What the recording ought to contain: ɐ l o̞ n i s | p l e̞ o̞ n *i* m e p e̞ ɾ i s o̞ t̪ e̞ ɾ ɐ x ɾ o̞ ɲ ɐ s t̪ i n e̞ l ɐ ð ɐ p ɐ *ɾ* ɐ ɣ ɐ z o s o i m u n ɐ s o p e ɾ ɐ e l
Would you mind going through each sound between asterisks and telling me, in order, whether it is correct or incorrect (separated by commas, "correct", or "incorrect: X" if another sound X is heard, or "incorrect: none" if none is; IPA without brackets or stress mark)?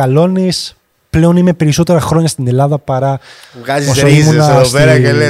correct, correct